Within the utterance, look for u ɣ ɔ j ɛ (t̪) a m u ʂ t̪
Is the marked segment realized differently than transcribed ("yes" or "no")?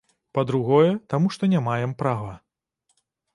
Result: no